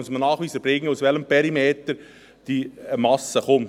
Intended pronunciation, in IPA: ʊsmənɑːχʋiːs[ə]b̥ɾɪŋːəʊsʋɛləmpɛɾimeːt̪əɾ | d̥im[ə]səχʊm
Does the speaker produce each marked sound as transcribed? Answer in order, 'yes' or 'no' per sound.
yes, no

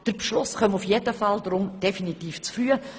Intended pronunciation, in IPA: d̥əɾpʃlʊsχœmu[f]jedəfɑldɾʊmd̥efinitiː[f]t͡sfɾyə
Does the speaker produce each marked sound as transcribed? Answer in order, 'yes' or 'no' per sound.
yes, yes

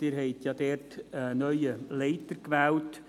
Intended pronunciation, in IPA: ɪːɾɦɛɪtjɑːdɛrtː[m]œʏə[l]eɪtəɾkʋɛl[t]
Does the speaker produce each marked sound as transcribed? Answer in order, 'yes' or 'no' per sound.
no, yes, yes

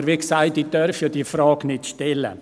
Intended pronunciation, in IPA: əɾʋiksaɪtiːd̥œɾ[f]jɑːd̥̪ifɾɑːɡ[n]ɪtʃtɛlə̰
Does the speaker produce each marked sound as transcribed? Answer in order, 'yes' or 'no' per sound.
yes, yes

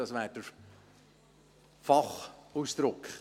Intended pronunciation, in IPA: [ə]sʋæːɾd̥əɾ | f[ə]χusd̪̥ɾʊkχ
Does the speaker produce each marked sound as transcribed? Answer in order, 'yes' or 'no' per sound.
no, no

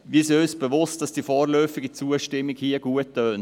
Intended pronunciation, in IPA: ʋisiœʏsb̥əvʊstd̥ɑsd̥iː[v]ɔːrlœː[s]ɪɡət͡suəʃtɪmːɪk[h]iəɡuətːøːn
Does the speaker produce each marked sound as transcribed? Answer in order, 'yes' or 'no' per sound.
no, no, yes

